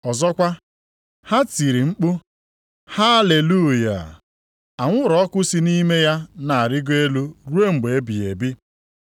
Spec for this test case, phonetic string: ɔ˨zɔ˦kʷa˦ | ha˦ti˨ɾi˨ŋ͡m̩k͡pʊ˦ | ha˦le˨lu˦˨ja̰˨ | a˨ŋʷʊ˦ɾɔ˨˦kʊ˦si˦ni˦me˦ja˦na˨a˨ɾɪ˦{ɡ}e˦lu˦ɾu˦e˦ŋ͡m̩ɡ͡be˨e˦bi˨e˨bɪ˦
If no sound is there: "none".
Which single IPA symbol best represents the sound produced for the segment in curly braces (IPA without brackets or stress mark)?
ɡ